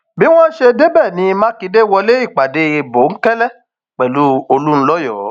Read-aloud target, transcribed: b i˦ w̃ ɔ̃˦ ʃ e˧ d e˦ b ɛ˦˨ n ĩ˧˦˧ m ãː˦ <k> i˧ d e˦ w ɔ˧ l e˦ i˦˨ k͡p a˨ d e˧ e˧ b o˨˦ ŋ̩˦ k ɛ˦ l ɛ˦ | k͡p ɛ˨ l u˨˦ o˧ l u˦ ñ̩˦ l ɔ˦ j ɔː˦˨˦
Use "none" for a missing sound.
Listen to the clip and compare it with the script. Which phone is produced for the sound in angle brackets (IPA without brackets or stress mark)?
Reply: k